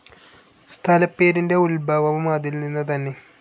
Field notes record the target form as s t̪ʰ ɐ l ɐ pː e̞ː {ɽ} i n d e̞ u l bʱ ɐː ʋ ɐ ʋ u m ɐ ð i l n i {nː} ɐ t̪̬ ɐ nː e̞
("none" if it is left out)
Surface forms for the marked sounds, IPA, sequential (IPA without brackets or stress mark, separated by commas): ɾ, nː